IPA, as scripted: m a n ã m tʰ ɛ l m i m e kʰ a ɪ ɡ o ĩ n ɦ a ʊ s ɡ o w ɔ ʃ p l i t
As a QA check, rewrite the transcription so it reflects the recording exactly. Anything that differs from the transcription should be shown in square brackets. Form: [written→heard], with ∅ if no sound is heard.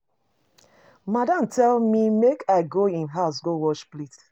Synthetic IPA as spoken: m a [n→d] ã m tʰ ɛ l m i m e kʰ a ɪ ɡ o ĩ n ɦ a ʊ s ɡ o w ɔ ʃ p l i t